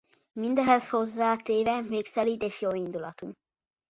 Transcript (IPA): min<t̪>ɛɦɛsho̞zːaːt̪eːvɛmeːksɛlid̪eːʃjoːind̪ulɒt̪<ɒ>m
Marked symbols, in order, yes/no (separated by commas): no, no